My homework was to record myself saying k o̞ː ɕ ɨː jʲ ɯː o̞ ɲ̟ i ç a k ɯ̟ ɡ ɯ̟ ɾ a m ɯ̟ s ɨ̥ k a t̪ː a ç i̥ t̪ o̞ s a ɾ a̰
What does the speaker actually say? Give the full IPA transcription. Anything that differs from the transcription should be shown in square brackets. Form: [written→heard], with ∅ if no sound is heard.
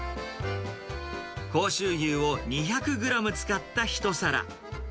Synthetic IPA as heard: k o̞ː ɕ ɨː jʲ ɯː o̞ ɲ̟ i ç a k ɯ̟ ɡ ɯ̟ ɾ a m ɯ̟ [s→t͡s] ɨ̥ k a t̪ː a ç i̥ t̪ o̞ s a ɾ a̰